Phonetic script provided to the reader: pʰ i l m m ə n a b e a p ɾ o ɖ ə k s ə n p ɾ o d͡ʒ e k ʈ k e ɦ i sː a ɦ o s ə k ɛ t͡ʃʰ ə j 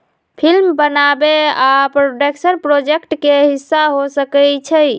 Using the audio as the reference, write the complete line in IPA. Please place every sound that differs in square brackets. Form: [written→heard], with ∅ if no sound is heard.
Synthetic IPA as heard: pʰ i l m [m→b] ə n a b e a p ɾ o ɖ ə k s ə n p ɾ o d͡ʒ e k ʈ k e ɦ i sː a ɦ o s ə k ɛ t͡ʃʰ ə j